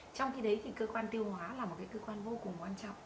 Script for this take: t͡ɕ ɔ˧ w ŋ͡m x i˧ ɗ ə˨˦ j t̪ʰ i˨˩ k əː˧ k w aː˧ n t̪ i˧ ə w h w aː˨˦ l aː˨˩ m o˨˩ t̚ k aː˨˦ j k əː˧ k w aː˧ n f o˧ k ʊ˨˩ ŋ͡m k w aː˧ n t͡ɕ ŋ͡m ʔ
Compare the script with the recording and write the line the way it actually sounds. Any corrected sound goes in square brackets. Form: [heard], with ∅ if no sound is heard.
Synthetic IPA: t͡ɕ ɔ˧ w ŋ͡m x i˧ ɗ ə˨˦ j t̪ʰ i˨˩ k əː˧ k w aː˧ n t̪ i˧ ə w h w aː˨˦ l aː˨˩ m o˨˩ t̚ k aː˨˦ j k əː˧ k w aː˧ n [v] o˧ k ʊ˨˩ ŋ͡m k w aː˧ n t͡ɕ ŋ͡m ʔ